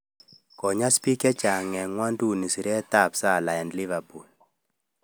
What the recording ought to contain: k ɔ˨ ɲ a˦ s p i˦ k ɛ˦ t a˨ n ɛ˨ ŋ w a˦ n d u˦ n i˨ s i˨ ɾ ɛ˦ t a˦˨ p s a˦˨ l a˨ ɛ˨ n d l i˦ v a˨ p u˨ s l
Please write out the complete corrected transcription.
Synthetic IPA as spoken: k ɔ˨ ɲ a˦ s p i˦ k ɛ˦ t͡ʃ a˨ ŋ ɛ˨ ŋ w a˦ n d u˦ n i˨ s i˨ ɾ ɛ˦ t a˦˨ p s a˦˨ l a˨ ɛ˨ n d l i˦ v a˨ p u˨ l